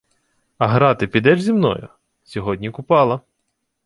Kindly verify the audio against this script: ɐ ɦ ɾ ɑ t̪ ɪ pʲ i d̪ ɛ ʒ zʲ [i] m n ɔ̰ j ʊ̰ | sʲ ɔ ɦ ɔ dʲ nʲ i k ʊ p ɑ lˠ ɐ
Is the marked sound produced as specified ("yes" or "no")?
yes